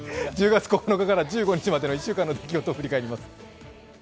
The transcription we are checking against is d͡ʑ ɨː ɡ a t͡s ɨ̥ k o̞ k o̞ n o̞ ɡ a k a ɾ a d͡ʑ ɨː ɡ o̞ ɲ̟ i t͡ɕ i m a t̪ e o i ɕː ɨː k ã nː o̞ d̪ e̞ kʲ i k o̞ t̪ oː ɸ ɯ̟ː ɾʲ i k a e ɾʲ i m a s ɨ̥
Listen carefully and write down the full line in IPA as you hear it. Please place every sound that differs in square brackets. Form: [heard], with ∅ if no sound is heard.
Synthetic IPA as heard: d͡ʑ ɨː ɡ a t͡s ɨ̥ k o̞ k o̞ n o̞ [k] a k a ɾ a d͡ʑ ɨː ɡ o̞ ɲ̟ i t͡ɕ i m a [d̪] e o i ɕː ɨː k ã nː o̞ d̪ e̞ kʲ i [ɡ] o̞ t̪ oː ɸ [ɯ̟] ɾʲ i k a e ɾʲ i m a s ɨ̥